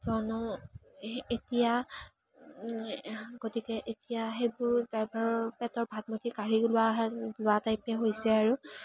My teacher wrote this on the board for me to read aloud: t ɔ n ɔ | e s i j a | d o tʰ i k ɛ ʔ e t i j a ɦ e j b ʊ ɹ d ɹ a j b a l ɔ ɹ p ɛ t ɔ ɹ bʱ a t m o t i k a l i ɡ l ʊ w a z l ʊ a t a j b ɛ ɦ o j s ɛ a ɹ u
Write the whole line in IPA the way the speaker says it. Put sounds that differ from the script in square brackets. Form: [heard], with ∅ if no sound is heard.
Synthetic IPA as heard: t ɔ n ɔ | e [t] i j a | [ɡ] o [t] i k ɛ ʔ e t i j a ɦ e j b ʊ ɹ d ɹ a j b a [ɹ] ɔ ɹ p ɛ t ɔ ɹ bʱ a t m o t i k a [ɹ] i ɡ l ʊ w a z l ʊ a t a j [p] ɛ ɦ o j s ɛ a ɹ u